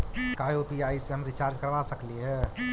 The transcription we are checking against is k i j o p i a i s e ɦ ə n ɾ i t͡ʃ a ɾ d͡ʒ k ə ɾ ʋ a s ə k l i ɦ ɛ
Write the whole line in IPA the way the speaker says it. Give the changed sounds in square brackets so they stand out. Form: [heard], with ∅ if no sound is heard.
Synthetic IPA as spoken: k [a] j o p i a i s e ɦ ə [m] ɾ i t͡ʃ a ɾ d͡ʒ k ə ɾ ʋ a s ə k l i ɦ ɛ